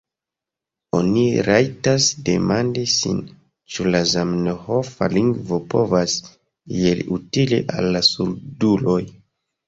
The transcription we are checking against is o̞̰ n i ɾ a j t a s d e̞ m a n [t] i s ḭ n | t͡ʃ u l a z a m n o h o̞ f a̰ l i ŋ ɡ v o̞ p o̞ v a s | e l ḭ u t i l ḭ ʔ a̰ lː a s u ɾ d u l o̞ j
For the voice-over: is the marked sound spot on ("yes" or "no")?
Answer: no